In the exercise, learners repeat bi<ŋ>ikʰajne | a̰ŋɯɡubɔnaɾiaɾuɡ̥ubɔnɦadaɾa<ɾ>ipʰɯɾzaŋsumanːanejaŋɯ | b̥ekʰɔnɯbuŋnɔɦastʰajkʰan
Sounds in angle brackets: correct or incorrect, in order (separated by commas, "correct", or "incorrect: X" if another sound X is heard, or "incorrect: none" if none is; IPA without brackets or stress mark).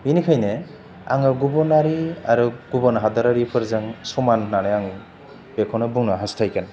incorrect: n, correct